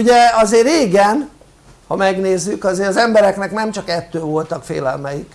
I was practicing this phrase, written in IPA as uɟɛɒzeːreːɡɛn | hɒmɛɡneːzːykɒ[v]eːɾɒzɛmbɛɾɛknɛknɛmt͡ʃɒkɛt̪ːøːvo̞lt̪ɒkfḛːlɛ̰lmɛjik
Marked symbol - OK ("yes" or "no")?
no